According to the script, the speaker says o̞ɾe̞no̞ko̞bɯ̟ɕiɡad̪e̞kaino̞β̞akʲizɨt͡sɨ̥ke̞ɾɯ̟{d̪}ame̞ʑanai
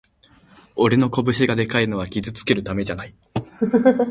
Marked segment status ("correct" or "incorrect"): incorrect